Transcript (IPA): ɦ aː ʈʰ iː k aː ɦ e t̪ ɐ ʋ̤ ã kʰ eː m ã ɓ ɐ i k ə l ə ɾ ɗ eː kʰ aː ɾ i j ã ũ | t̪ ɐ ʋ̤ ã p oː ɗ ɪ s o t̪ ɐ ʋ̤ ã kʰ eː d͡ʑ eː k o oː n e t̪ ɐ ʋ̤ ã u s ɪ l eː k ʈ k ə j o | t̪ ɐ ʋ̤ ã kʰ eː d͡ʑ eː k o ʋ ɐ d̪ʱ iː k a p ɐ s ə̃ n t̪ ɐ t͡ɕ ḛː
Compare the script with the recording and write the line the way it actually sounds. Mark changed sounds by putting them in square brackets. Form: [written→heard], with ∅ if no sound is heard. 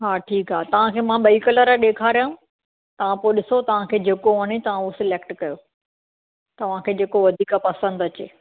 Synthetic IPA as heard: ɦ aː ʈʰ iː k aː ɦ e t̪ ɐ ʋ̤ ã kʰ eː m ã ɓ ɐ i k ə l ə ɾ ɗ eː kʰ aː ɾ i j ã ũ | t̪ ɐ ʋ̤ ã p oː ɗ ɪ s o t̪ ɐ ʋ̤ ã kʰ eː d͡ʑ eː k o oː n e t̪ ɐ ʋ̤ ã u s ɪ l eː k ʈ k [ə→ɐ] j o | t̪ ɐ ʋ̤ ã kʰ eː d͡ʑ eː k o ʋ ɐ d̪ʱ iː k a p ɐ s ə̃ n [t̪→d̪] ɐ t͡ɕ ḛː

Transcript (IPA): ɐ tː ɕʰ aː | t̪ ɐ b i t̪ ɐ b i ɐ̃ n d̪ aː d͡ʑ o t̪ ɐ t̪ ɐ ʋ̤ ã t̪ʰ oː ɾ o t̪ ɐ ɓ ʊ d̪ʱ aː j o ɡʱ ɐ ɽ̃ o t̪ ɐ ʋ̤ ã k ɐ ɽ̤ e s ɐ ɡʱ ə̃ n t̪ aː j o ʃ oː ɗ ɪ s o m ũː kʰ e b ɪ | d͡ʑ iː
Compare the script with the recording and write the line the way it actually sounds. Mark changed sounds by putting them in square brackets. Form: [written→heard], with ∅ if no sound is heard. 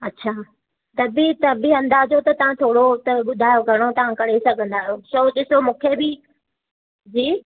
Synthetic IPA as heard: ɐ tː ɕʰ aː | t̪ ɐ b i t̪ ɐ b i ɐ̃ n d̪ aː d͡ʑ o t̪ ɐ t̪ ɐ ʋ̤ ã t̪ʰ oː [ɾ→ɽ] o t̪ ɐ ɓ ʊ d̪ʱ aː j o ɡʱ ɐ ɽ̃ o t̪ ɐ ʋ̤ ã k ɐ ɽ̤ e s ɐ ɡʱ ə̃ n [t̪→d̪] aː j o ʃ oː ɗ ɪ s o m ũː kʰ e b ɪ | d͡ʑ iː

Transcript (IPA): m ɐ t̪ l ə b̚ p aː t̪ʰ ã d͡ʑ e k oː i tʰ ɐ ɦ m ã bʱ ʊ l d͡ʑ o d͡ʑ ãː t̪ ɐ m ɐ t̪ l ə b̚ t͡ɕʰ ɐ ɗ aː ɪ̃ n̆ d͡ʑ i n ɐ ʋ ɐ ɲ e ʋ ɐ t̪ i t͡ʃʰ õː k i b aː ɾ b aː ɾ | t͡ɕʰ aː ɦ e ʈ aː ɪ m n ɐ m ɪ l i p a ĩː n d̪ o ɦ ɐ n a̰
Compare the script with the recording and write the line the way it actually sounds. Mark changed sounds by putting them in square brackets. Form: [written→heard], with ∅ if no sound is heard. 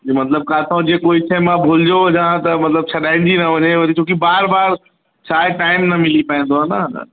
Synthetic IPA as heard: m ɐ t̪ l ə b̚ [p→k] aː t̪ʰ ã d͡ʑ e k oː i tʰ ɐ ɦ m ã bʱ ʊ l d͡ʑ o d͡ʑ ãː t̪ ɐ m ɐ t̪ l ə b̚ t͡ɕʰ ɐ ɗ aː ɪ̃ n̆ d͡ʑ i n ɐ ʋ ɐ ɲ e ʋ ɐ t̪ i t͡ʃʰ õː k i b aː ɾ b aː ɾ | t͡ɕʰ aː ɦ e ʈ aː ɪ m n ɐ m ɪ l i p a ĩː n d̪ o ɦ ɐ n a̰

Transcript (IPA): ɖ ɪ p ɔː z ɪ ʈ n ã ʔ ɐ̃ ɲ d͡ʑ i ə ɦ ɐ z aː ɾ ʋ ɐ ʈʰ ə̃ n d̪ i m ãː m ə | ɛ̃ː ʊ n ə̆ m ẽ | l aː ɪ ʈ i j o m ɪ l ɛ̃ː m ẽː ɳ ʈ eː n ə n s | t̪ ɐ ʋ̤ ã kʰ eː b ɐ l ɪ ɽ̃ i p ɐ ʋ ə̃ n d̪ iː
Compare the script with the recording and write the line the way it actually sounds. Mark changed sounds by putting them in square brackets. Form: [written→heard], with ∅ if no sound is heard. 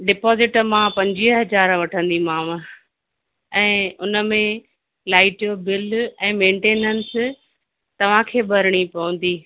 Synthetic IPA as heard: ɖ ɪ p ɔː z ɪ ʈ [n→m] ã [ʔ→p] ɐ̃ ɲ d͡ʑ i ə ɦ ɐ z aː ɾ ʋ ɐ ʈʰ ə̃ n d̪ i m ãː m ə | ɛ̃ː ʊ n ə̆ m ẽ | l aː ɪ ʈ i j o [m→b] ɪ l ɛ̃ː m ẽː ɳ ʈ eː n ə n s | t̪ ɐ ʋ̤ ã kʰ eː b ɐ [l→ɾ] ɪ ɽ̃ i p ɐ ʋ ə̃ n d̪ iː

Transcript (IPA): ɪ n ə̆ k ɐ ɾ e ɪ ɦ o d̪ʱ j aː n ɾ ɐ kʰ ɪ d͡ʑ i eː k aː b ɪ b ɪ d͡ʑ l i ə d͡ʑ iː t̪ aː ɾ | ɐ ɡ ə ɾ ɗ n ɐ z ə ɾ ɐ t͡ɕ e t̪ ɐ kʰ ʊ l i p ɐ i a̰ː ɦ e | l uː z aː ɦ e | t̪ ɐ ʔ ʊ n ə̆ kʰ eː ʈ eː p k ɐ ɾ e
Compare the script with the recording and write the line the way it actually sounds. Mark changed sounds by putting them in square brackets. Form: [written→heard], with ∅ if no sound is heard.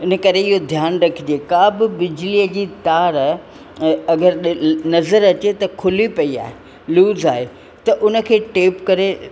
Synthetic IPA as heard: ɪ n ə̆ k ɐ ɾ e ɪ ɦ o d̪ʱ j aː n ɾ ɐ kʰ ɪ d͡ʑ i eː k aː b ɪ b ɪ d͡ʑ l i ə d͡ʑ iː t̪ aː ɾ | ɐ ɡ ə ɾ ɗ n ɐ z ə ɾ ɐ t͡ɕ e t̪ ɐ kʰ ʊ l i p ɐ i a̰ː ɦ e | l uː z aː ɦ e | t̪ ɐ ʔ ʊ n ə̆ kʰ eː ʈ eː p k ɐ ɾ e

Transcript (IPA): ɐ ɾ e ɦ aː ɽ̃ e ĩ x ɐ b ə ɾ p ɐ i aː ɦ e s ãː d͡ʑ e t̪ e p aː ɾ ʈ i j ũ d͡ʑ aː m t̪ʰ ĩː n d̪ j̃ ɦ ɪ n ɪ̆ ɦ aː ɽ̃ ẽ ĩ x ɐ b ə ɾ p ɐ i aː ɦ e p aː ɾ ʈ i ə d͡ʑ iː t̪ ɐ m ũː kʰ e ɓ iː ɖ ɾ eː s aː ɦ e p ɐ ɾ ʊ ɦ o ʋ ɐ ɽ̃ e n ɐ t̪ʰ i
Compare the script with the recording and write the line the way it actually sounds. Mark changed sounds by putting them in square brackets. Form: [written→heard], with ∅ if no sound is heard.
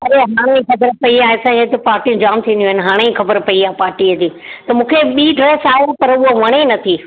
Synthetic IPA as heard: ɐ ɾ e ɦ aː ɽ̃ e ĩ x ɐ b ə ɾ p ɐ i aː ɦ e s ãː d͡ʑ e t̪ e p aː ɾ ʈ i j ũ d͡ʑ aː m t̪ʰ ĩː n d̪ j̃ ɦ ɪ n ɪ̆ ɦ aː ɽ̃ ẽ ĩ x ɐ b ə ɾ p ɐ i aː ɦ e p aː ɾ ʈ i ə d͡ʑ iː t̪ ɐ m ũː kʰ e ɓ iː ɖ ɾ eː s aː ɦ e p ɐ ɾ ʊ ɦ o ʋ ɐ ɽ̃ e n ɐ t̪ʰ i

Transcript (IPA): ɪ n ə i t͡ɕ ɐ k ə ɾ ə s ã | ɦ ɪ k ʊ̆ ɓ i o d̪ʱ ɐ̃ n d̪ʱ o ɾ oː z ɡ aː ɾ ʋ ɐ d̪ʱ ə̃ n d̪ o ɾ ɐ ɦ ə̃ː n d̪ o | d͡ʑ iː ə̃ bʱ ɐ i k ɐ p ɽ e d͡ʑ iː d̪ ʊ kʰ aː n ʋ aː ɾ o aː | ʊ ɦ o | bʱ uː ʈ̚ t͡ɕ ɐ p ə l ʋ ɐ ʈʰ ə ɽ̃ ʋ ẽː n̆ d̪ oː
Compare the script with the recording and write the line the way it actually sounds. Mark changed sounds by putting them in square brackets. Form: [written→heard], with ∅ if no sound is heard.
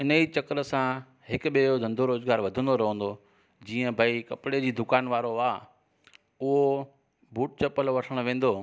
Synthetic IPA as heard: ɪ n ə i t͡ɕ ɐ k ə ɾ ə s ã | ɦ ɪ k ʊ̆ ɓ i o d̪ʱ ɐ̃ n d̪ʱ o ɾ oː z ɡ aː ɾ ʋ ɐ d̪ʱ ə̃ n d̪ o ɾ ɐ ɦ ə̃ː n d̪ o | d͡ʑ iː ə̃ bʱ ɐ i k ɐ p ɽ e d͡ʑ iː d̪ ʊ [kʰ→k] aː n ʋ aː ɾ o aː | ʊ ɦ o | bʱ uː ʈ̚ t͡ɕ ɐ p ə l ʋ ɐ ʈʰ ə ɽ̃ ʋ ẽː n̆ d̪ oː

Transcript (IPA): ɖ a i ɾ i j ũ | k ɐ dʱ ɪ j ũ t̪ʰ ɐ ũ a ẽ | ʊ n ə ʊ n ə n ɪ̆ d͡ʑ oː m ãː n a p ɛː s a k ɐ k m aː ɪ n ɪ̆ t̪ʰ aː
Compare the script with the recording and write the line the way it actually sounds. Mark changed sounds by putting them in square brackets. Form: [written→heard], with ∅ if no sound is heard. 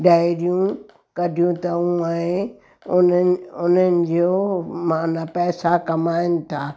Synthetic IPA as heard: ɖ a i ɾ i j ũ | k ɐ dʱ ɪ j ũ [t̪ʰ→t̪] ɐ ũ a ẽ | ʊ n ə ʊ n ə n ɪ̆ d͡ʑ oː m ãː n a p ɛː s a k ɐ [k→∅] m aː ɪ n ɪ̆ t̪ʰ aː

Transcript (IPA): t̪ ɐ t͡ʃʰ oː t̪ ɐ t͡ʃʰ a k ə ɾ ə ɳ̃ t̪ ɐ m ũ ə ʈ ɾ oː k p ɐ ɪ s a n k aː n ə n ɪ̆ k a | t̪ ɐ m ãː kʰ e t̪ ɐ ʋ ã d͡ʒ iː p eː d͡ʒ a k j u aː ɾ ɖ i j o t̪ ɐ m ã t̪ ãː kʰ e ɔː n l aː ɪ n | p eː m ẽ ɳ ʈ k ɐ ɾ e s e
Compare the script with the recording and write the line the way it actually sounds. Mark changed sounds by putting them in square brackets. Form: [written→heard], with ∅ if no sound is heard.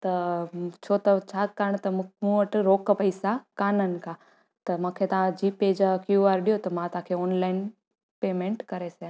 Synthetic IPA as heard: t̪ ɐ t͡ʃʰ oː t̪ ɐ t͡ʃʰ a k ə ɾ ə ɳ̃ t̪ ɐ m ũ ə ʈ ɾ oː k p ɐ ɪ s a [n→∅] k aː n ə n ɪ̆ k a | t̪ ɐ m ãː kʰ e t̪ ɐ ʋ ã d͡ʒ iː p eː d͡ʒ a k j u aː ɾ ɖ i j o t̪ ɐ m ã t̪ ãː kʰ e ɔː n l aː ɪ n | p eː m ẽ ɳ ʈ k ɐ ɾ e s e

